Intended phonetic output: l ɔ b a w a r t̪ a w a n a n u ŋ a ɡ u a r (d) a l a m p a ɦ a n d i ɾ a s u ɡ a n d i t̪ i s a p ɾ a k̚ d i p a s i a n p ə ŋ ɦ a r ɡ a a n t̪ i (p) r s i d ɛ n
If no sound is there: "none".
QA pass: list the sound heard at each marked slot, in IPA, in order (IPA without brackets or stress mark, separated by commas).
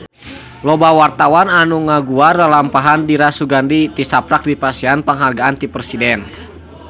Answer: d, p